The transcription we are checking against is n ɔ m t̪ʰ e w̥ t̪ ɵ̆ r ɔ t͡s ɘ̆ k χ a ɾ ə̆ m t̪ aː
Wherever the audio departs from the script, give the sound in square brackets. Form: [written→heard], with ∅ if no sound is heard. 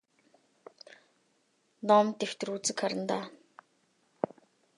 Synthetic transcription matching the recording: n ɔ m [t̪ʰ→t̪] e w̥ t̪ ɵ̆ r [ɔ→u] t͡s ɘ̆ k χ a ɾ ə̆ [m→n] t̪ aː